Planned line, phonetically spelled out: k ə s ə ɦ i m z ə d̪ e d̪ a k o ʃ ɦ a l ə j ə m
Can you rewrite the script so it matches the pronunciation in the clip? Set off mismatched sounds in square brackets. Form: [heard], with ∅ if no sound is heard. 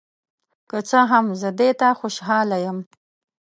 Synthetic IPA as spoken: k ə [t͡s] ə ɦ [a] m z ə d̪ e [t̪] a [x] o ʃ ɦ [ɑ] l [a] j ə m